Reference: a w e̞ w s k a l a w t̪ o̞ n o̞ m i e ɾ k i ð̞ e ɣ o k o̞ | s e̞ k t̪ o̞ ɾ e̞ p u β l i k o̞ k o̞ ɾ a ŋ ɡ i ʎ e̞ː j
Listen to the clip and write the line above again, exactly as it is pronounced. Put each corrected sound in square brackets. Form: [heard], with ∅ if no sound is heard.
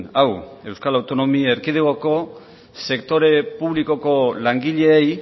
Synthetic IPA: a w e̞ w s k a l a w t̪ o̞ n o̞ m i e ɾ k i ð̞ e ɣ o k o̞ | s e̞ k t̪ o̞ ɾ e̞ p u β l i k o̞ k o̞ [l] a ŋ ɡ i ʎ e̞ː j